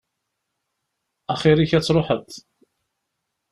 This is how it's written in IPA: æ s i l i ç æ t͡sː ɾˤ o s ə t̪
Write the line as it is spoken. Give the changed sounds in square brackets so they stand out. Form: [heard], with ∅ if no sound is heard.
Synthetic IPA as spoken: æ [χ] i [ɾ] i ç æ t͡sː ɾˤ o [ħ] ə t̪